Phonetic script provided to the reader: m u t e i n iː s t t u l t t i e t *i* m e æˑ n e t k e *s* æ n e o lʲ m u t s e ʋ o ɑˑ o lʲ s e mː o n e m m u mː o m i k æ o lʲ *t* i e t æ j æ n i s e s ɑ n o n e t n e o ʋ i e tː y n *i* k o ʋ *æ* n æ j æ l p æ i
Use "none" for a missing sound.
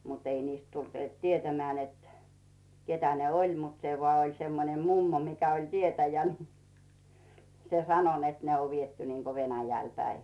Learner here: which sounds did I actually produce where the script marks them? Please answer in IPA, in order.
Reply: æ, t, t, iː, e

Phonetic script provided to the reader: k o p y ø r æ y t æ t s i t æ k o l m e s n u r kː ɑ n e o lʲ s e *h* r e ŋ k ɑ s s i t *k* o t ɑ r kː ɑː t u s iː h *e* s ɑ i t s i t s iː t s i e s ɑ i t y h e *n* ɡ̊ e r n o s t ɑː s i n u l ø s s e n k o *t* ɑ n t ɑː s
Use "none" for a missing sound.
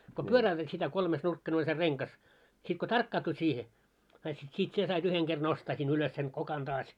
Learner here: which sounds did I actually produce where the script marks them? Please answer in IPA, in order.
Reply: none, k, e, ŋ, k

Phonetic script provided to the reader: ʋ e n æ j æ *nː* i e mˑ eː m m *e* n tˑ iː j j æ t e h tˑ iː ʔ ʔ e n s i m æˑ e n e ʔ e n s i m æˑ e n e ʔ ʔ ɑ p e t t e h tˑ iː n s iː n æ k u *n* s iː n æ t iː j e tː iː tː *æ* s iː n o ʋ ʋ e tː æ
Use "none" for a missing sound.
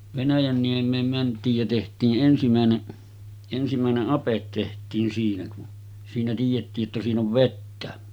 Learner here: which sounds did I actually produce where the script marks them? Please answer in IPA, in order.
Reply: nː, æ, n, æ

